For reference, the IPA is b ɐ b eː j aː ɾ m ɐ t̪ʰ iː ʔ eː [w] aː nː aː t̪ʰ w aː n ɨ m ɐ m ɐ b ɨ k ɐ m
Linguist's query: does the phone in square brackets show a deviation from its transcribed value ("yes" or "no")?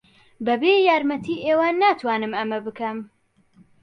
no